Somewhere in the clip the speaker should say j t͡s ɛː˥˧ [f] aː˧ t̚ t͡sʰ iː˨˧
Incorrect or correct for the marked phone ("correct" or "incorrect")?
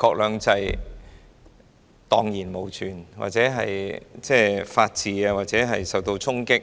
correct